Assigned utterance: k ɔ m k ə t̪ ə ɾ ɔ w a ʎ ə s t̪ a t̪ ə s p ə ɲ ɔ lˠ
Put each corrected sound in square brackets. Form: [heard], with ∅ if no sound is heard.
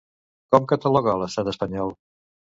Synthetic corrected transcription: k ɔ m k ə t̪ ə [l] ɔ [ɣ] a [l] ə s t̪ a t̪ ə s p ə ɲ ɔ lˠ